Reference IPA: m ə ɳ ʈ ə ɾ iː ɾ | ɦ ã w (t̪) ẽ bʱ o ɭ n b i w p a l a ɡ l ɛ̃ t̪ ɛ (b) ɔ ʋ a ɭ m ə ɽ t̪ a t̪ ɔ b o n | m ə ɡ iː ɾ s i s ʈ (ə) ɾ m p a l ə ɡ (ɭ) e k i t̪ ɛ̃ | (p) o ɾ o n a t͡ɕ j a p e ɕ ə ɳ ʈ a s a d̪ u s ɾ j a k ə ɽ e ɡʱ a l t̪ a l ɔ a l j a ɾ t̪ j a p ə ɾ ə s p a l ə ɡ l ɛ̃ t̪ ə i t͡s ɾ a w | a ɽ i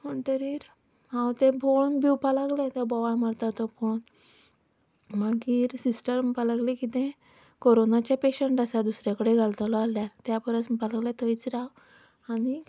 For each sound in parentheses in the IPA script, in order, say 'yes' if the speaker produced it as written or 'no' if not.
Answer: yes, yes, yes, no, no

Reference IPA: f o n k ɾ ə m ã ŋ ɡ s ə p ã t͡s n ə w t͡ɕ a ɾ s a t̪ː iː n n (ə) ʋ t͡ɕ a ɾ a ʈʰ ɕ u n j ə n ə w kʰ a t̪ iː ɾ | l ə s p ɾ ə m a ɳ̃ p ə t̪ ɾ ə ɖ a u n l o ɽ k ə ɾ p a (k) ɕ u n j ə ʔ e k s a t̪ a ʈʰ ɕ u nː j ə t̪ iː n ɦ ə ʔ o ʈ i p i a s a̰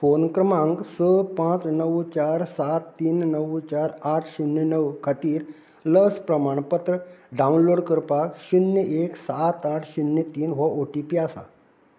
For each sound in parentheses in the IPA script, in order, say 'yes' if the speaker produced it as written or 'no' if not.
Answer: yes, yes

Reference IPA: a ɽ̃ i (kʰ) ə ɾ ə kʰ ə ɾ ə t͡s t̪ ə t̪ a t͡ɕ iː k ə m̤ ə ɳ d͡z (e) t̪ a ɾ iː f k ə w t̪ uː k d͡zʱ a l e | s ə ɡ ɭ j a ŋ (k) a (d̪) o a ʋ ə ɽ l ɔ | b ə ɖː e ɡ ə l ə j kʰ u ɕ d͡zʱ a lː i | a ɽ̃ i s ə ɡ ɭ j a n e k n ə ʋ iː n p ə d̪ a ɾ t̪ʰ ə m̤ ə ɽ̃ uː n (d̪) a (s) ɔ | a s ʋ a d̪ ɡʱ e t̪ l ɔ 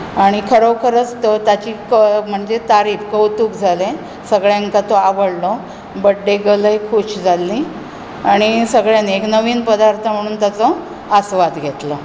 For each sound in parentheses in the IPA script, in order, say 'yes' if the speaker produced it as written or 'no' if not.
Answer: yes, yes, yes, no, no, no

